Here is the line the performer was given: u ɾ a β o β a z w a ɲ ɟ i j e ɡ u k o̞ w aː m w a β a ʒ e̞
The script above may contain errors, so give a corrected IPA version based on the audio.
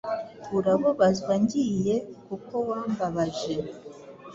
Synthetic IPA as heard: u ɾ a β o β a z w a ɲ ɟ i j e k u k o̞ w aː m b a β a ʒ e̞